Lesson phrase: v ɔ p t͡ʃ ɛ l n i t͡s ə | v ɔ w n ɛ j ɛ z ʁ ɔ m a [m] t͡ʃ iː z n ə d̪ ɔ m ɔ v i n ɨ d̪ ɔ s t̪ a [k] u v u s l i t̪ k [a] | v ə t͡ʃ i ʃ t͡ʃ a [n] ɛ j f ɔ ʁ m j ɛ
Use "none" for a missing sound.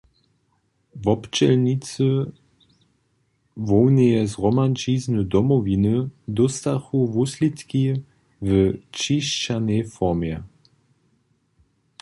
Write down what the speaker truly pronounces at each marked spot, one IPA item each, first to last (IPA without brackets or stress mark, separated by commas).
n, x, i, n